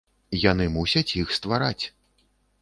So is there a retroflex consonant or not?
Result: no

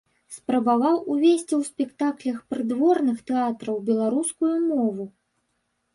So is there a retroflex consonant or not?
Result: no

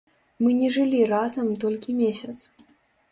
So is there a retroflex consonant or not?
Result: yes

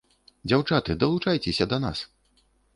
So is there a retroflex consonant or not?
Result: yes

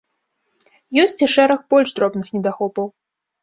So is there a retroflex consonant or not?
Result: yes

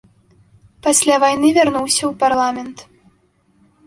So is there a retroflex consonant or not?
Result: no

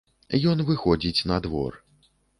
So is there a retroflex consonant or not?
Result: no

